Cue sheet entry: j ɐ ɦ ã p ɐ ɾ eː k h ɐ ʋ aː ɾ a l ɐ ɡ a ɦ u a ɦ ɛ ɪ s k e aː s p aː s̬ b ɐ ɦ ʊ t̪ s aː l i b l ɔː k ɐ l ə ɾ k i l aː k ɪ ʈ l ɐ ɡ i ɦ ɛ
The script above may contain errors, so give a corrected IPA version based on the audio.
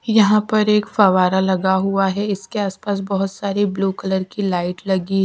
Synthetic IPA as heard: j ɐ ɦ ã p ɐ ɾ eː k f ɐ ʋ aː ɾ a l ɐ ɡ a ɦ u a ɦ ɛ ɪ s k e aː s p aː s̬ b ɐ ɦ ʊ t̪ s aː ɾ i b l uː k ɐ l ə ɾ k i l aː ɪ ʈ l ɐ ɡ i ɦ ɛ